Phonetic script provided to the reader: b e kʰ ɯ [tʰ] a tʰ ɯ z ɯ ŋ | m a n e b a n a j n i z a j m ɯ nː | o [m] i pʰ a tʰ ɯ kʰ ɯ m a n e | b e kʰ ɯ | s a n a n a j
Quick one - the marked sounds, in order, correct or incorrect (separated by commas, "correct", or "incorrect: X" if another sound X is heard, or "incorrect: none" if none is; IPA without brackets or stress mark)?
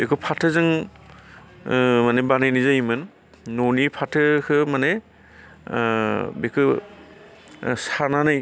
incorrect: pʰ, incorrect: n